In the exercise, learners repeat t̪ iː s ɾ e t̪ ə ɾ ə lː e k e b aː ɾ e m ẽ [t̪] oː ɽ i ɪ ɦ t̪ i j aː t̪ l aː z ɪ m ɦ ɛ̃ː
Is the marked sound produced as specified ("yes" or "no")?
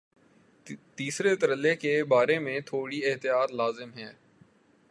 no